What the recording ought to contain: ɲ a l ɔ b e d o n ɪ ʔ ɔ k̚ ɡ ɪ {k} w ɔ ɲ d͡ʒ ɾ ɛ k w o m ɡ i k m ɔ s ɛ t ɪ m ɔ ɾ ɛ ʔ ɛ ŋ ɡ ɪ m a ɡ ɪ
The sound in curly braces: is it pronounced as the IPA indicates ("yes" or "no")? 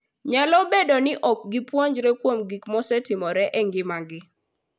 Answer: no